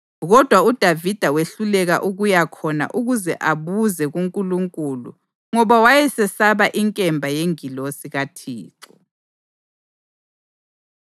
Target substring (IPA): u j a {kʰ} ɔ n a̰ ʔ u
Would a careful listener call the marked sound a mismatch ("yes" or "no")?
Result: no